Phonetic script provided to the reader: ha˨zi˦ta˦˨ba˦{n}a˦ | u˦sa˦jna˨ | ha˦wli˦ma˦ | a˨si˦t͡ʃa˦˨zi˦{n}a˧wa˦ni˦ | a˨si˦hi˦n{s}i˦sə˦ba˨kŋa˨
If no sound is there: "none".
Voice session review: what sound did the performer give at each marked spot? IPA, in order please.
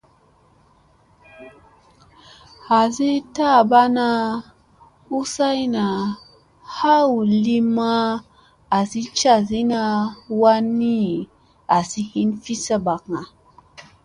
n, n, f

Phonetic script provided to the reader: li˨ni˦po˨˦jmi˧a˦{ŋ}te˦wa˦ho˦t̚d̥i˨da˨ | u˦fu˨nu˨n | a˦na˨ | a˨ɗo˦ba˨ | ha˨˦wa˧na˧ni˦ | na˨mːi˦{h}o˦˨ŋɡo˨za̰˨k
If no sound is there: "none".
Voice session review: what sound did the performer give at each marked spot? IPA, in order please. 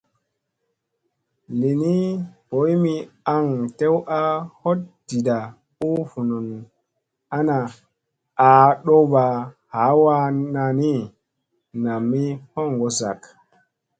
ŋ, h

